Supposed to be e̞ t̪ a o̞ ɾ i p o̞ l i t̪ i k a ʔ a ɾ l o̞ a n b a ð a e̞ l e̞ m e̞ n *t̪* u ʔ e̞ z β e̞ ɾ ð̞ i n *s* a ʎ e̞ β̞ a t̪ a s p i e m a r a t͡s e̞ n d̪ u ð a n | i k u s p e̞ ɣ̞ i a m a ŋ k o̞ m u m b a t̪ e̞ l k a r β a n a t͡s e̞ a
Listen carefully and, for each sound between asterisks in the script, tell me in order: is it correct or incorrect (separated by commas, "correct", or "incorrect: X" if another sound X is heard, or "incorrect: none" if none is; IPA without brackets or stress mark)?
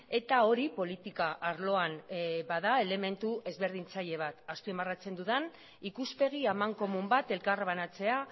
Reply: correct, incorrect: t͡s